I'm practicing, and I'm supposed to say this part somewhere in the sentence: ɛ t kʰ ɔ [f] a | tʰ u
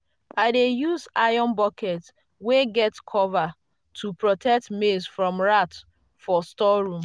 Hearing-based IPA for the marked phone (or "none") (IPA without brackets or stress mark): v